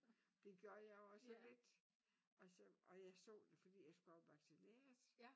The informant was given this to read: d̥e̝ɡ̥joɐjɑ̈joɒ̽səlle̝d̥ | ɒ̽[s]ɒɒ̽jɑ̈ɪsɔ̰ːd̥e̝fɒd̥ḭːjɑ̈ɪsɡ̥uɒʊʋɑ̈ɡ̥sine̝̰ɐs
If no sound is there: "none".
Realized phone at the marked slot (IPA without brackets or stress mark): s